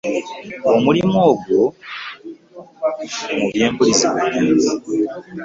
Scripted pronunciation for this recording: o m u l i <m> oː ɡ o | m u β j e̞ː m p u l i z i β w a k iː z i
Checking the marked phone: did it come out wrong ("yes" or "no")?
no